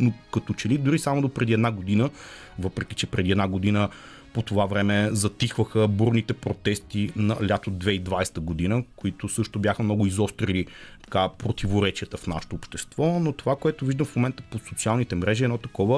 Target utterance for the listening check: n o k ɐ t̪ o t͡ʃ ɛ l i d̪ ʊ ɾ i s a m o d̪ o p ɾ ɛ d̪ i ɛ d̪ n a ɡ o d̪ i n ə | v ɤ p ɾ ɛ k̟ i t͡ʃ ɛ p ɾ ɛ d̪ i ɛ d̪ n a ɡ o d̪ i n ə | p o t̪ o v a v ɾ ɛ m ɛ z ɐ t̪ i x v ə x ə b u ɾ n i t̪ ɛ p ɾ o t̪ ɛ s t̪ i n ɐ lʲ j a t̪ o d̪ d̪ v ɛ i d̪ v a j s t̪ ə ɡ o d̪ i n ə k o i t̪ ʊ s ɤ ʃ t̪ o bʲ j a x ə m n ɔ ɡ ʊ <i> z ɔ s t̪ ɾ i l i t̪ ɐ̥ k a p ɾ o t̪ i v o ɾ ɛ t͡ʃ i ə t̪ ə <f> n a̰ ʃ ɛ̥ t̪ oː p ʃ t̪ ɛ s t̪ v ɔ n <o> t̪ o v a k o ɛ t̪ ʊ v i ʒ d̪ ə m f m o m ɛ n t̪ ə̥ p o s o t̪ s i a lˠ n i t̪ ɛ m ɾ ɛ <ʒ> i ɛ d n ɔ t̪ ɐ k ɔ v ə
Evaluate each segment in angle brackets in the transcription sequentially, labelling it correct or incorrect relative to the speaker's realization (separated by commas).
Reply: correct, correct, correct, correct